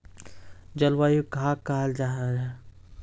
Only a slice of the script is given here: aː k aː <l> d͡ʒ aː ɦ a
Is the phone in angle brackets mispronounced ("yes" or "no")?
no